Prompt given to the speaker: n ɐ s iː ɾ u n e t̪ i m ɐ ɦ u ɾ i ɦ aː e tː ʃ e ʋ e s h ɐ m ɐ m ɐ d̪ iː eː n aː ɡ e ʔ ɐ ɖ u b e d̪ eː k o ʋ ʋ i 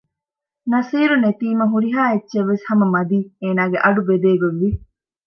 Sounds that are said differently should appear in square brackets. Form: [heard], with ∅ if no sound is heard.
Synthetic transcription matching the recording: n ɐ s iː ɾ u n e t̪ [iː] m ɐ ɦ u ɾ i ɦ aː e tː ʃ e [ʋː] e s h ɐ m ɐ m ɐ d̪ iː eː n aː ɡ e ʔ ɐ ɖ u b e d̪ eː [ɡ] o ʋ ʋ i